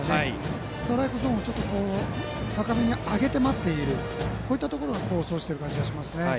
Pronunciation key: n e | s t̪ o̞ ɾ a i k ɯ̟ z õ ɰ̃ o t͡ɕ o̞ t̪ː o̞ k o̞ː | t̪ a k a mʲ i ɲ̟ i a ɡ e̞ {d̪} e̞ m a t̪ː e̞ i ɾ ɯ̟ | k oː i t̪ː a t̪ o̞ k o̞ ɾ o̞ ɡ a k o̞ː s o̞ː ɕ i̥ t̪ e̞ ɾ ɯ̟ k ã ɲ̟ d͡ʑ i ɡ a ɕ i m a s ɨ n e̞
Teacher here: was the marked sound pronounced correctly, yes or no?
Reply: no